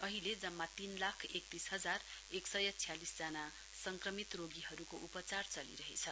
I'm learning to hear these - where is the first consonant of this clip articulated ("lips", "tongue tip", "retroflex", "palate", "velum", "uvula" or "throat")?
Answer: throat